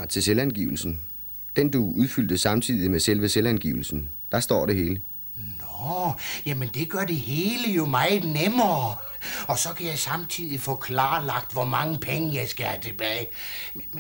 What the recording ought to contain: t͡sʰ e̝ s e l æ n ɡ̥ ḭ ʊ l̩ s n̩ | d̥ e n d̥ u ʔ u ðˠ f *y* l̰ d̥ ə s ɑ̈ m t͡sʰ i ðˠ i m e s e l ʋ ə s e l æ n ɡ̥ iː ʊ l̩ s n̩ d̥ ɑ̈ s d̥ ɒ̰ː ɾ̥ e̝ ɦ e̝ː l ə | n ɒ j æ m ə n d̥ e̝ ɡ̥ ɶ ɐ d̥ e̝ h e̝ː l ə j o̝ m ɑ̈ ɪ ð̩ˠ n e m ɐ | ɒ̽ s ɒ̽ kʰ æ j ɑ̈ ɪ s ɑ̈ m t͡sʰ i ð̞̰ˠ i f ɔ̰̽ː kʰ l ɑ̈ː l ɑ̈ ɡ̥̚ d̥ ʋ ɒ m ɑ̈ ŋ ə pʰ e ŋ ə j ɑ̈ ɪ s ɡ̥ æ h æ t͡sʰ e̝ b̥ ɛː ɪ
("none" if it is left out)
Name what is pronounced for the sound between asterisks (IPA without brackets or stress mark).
y